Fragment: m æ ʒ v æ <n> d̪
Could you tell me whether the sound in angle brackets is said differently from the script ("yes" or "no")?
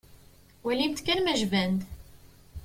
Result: no